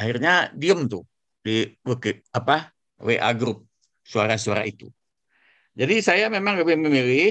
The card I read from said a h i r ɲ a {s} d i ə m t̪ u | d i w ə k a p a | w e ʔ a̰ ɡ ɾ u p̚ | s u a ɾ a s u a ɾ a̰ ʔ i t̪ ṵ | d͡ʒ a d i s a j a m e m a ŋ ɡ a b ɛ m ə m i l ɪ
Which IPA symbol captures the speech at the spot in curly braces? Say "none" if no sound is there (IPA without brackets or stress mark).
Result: none